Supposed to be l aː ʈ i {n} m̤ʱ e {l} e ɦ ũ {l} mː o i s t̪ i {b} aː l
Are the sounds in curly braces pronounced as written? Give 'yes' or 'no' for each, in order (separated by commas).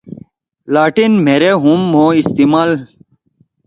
yes, no, no, no